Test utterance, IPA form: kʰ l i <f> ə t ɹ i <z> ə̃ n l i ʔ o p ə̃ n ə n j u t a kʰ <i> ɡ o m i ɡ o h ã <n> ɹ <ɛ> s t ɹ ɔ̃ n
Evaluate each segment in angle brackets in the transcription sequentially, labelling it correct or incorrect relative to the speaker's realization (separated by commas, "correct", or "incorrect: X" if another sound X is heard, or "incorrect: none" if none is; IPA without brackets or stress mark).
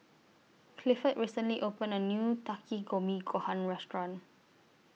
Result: correct, incorrect: s, correct, correct, correct